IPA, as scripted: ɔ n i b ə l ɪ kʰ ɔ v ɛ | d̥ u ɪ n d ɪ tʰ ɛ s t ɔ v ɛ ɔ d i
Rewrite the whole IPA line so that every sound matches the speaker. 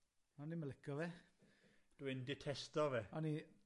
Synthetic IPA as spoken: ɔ n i m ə l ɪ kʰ ɔ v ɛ | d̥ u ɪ n d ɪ tʰ ɛ s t ɔ v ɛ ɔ n i